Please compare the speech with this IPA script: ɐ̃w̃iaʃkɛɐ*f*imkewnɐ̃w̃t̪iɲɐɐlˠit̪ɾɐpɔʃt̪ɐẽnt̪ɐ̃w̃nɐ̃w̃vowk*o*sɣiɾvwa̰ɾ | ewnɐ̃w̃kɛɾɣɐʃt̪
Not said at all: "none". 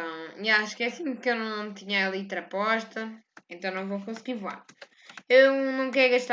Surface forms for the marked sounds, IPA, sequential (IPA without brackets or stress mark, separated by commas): s, õ